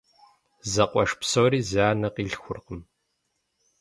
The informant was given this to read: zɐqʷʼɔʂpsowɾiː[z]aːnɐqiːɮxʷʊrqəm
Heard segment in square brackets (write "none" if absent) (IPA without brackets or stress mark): z